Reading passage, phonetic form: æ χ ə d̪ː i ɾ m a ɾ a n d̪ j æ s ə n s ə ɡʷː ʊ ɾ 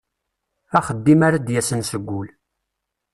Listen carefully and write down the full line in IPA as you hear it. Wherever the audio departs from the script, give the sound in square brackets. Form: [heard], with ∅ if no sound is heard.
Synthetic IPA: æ χ ə d̪ː i [∅] m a ɾ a [∅] d̪ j æ s ə n s ə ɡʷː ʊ [l]